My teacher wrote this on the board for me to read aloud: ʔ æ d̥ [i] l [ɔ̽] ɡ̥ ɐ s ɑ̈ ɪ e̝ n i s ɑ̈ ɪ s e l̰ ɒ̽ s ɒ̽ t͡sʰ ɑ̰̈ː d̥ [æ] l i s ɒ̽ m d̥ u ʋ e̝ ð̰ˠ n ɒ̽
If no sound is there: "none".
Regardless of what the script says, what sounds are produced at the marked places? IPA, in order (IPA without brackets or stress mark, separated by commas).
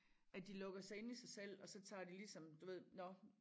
i, ɔ̽, i